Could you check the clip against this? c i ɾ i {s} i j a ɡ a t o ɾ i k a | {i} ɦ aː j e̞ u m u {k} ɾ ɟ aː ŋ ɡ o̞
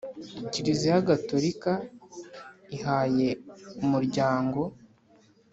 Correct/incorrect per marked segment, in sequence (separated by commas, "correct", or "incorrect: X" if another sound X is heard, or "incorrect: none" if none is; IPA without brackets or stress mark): incorrect: z, correct, incorrect: none